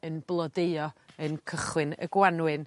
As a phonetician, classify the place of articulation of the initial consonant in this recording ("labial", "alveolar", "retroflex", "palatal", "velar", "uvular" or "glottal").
alveolar